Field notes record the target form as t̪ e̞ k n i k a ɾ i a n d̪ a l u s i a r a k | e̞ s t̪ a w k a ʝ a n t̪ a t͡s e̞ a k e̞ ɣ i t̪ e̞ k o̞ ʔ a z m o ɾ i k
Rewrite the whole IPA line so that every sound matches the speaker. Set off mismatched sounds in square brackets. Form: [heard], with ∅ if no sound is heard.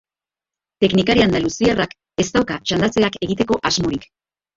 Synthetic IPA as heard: t̪ e̞ k n i k a ɾ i a n d̪ a l u s i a r a k | e̞ s t̪ a w k a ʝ a n [d̪] a t͡s e̞ a k e̞ ɣ i t̪ e̞ k o̞ ʔ a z m o ɾ i k